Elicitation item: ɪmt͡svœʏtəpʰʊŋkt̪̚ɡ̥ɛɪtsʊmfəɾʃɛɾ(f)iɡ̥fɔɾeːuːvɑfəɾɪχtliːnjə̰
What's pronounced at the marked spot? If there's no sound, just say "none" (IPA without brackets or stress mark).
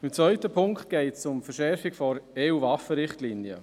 f